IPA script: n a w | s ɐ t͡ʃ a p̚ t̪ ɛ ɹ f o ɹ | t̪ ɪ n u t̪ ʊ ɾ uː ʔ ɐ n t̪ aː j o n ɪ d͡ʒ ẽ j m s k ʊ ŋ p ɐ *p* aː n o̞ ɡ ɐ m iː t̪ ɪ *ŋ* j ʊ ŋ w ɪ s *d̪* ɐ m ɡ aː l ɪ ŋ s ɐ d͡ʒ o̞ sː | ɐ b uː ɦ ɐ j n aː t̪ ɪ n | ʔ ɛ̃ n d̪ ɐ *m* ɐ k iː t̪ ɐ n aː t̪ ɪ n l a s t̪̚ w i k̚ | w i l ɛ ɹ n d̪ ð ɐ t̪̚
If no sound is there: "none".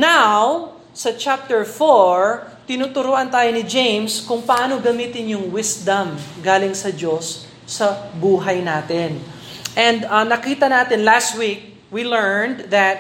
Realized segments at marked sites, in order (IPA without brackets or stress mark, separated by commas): ʔ, n, d̪, n